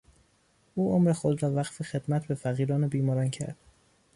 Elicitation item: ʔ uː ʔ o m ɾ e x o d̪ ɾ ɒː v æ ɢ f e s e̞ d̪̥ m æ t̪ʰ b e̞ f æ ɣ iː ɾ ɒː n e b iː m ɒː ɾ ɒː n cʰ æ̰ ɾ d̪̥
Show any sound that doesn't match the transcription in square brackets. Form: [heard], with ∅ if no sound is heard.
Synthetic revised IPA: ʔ uː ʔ o m ɾ e x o d̪ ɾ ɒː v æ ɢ f e [x] e̞ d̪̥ m æ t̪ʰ b e̞ f æ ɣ iː ɾ ɒː n e b iː m ɒː ɾ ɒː n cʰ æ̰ ɾ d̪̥